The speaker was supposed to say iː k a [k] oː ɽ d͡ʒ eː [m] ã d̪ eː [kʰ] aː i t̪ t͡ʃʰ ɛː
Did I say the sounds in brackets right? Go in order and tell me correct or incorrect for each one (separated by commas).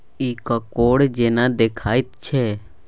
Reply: correct, incorrect, correct